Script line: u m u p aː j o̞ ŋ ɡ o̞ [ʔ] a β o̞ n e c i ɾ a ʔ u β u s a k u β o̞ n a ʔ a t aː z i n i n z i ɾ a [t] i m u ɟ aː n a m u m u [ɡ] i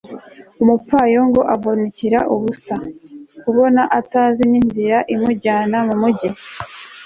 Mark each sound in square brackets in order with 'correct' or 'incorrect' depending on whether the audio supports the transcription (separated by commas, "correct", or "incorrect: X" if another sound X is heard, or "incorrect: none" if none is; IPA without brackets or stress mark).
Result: correct, incorrect: ʔ, incorrect: ɟ